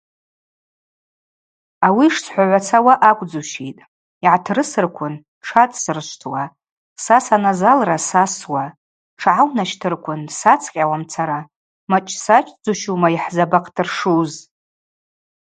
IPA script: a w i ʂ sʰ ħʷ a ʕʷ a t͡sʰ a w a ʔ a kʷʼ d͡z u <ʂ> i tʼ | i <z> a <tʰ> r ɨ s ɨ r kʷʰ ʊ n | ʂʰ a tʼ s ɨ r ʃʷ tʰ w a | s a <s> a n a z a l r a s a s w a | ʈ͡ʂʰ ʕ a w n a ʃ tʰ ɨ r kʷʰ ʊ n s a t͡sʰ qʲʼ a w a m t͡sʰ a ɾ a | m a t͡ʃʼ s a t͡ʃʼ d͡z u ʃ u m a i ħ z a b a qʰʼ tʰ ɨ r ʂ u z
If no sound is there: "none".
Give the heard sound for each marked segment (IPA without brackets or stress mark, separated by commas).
ʃ, ʕ, tʰ, s